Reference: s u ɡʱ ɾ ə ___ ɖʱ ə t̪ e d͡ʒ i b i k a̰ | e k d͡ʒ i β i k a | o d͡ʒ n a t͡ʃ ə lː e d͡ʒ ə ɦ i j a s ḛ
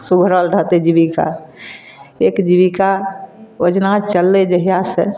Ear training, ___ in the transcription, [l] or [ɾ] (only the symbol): l